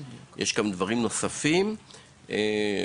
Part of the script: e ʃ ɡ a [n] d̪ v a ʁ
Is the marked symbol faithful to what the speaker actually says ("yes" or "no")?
no